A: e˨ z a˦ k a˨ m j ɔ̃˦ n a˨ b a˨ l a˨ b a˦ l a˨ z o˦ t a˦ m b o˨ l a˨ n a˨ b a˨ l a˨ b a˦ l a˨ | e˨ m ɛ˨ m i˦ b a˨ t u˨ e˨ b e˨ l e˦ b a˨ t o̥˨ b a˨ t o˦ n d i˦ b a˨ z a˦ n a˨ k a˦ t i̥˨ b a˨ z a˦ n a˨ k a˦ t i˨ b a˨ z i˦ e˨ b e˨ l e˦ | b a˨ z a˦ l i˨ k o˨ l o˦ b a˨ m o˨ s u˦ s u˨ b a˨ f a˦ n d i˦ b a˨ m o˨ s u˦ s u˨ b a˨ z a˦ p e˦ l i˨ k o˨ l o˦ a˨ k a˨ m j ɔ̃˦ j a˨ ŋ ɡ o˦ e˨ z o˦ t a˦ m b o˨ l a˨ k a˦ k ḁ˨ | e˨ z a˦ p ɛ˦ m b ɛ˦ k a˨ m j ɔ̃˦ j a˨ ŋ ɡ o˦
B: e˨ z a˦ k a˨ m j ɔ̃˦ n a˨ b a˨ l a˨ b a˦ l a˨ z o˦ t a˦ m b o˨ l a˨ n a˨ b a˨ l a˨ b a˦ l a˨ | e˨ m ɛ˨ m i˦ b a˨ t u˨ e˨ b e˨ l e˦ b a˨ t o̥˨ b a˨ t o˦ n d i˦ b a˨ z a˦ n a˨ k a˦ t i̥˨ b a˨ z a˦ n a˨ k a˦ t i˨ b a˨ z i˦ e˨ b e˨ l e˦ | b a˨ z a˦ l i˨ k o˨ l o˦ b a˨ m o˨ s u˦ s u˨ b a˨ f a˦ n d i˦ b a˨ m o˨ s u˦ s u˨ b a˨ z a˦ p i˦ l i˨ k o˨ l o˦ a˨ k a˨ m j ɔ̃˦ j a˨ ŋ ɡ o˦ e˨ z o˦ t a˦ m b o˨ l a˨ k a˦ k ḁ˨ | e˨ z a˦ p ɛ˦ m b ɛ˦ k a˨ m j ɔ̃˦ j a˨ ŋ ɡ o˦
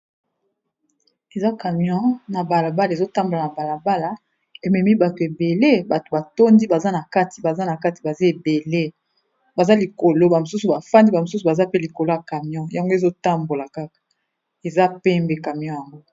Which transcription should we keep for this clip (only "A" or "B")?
A